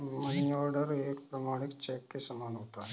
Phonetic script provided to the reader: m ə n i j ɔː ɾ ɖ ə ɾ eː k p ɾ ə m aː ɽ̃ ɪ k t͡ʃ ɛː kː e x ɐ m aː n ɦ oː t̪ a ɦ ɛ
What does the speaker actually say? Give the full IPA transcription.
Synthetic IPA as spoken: m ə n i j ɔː ɾ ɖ ə ɾ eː k p ɾ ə m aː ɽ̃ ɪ k t͡ʃ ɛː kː e s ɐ m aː n ɦ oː t̪ a ɦ ɛ

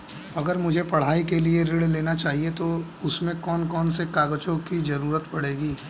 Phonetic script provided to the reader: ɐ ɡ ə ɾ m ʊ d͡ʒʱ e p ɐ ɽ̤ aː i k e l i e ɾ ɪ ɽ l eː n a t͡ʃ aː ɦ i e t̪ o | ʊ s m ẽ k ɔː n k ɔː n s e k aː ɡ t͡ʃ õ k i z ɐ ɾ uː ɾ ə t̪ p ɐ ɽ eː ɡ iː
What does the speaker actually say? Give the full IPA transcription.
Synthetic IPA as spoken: ɐ ɡ ə ɾ m ʊ d͡ʒʱ e p ɐ ɽ̤ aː i k e l i e ɾ ɪ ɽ l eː n a t͡ʃ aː ɦ i e t̪ o | ʊ s m ẽ k ɔː n k ɔː n s e k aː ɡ t͡ʃ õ k i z ɐ ɾ uː ɾ ə t̪ p ɐ ɽ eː ɡ iː

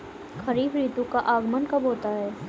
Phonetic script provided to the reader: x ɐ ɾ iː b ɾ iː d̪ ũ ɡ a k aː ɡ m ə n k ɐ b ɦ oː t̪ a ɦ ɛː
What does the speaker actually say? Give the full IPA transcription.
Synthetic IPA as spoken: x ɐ ɾ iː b ɾ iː t̪ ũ k a ʔ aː ɡ m ə n k ɐ b ɦ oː t̪ a ɦ ɛː

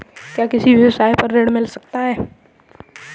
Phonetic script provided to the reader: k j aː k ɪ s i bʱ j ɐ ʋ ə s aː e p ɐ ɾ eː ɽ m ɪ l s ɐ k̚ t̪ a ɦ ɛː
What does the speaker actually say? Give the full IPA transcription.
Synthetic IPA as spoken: k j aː k ɪ s i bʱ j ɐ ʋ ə s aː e p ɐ ɾː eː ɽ m ɪ l s ɐ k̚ t̪ a ɦ ɛː

